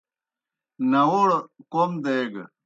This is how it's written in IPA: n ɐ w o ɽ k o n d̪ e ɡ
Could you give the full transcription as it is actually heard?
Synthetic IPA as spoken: n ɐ w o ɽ k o m d̪ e ɡ